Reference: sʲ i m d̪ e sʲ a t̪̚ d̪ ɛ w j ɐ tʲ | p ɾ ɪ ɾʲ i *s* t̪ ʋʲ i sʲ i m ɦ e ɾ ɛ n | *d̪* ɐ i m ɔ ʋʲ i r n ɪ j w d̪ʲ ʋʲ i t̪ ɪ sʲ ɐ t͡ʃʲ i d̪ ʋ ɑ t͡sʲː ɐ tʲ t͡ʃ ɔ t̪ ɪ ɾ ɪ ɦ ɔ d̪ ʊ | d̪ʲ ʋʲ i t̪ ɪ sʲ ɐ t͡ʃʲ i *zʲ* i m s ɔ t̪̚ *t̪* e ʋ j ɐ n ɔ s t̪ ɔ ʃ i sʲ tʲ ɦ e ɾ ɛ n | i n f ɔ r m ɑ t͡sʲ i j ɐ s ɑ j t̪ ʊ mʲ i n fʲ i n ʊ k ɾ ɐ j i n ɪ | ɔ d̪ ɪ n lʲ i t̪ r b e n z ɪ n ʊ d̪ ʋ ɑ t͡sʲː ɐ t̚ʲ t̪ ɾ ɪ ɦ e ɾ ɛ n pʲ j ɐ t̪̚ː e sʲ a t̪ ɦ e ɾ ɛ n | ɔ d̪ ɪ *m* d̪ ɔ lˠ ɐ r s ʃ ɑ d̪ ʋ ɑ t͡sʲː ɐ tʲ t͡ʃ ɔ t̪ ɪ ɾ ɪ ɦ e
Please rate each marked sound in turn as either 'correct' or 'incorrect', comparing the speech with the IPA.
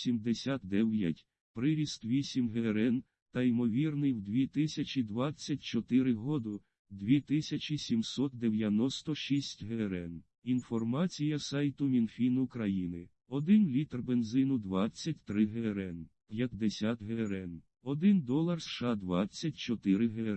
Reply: correct, incorrect, incorrect, incorrect, incorrect

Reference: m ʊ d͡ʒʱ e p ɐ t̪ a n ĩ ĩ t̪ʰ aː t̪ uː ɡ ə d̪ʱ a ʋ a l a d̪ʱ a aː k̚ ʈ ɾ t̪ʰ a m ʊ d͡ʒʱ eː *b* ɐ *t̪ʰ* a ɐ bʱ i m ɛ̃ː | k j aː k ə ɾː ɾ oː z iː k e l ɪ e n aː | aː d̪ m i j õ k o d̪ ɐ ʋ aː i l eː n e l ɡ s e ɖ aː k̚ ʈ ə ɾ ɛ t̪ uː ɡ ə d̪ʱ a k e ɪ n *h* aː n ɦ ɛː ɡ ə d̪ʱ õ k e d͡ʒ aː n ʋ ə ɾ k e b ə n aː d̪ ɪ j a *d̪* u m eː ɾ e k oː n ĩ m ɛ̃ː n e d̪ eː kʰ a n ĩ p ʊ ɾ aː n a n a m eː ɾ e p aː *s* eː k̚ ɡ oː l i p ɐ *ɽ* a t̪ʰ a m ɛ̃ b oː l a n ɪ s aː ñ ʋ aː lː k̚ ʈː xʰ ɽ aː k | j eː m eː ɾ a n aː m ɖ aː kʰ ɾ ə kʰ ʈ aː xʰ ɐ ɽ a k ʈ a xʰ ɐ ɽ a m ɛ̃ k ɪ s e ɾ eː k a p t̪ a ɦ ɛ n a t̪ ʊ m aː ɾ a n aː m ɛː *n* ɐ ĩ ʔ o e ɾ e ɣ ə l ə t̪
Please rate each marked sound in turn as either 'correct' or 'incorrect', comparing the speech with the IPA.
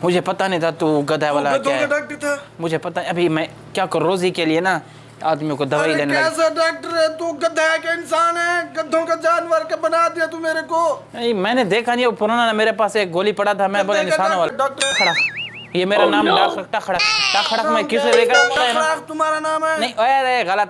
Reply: incorrect, incorrect, incorrect, incorrect, correct, correct, correct

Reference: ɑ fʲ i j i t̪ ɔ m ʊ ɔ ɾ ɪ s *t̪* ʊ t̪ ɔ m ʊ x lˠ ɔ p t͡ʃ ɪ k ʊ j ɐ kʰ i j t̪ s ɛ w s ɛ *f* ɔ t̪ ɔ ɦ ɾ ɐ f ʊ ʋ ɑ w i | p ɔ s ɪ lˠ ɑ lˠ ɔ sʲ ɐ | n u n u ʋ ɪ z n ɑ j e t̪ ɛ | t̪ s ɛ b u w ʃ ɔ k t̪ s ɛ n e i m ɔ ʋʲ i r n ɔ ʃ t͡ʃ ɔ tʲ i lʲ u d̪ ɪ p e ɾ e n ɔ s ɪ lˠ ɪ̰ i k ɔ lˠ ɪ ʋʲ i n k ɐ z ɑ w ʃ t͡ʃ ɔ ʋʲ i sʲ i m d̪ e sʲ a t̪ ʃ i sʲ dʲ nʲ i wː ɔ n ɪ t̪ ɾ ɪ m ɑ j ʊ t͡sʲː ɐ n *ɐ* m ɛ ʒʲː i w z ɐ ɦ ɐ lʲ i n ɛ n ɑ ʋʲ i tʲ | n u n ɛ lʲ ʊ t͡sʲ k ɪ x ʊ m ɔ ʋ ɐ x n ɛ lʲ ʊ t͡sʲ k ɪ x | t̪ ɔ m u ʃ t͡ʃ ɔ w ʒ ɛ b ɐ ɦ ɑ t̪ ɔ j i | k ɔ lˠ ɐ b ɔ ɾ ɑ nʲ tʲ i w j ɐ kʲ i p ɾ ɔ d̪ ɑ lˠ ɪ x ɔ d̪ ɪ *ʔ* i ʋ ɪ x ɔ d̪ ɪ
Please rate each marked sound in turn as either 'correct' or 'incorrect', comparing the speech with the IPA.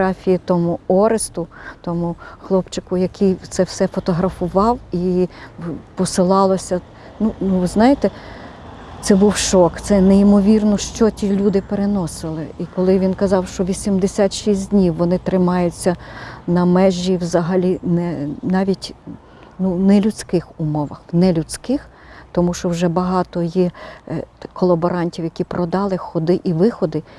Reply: correct, correct, correct, correct

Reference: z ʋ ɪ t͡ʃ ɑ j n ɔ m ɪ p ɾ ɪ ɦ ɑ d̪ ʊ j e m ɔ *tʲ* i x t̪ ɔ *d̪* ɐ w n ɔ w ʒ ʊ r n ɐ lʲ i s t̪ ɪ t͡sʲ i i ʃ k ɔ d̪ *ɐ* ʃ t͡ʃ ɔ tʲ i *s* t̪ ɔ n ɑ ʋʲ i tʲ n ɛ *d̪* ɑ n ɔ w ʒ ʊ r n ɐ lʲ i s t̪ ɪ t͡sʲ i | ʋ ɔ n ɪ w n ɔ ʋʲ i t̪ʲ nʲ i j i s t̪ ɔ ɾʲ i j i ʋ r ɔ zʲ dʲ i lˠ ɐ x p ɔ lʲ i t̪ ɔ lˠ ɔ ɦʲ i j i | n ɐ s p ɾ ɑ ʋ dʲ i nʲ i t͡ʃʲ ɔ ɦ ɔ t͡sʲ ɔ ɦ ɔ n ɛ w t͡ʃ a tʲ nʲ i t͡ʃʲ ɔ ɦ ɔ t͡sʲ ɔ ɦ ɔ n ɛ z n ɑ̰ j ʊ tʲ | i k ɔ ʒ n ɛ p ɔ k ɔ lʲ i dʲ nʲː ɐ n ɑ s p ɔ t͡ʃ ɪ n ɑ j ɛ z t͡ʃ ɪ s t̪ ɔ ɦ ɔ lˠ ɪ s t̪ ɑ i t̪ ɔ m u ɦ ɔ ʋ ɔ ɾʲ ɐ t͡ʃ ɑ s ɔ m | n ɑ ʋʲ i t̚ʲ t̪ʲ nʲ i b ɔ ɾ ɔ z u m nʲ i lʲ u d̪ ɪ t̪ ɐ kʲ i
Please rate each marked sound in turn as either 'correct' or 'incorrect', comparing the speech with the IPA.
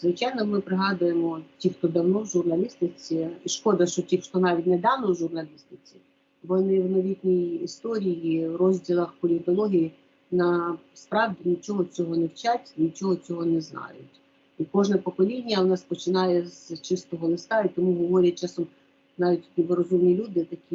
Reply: correct, correct, correct, incorrect, correct

